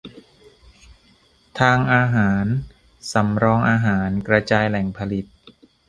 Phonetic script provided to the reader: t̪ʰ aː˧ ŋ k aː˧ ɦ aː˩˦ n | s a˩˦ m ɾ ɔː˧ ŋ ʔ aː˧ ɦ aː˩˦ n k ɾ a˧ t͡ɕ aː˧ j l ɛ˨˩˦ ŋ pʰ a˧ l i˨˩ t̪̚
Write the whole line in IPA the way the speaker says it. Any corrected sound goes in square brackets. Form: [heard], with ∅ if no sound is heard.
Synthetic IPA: t̪ʰ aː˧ ŋ [ʔ] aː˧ ɦ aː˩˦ n | s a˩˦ m ɾ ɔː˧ ŋ ʔ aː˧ ɦ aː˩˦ n k ɾ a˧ t͡ɕ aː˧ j l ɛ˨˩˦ ŋ pʰ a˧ l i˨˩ t̪̚